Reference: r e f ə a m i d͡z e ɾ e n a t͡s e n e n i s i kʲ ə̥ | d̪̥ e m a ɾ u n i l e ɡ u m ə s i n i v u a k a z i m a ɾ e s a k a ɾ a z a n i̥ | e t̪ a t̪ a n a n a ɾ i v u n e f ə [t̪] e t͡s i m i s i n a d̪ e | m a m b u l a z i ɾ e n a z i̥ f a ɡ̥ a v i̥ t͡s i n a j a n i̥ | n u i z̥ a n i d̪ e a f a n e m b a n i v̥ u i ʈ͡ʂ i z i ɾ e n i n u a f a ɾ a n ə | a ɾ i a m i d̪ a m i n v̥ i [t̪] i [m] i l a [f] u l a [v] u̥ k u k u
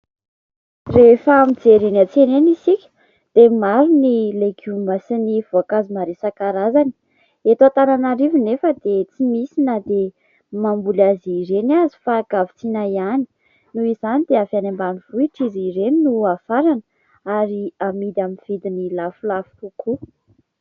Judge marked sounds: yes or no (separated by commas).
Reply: no, no, no, yes, no